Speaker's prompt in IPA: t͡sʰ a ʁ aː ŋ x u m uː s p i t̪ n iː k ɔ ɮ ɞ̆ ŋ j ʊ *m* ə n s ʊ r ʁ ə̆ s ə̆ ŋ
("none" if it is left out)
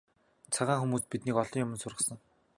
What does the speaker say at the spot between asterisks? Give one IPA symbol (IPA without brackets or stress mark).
m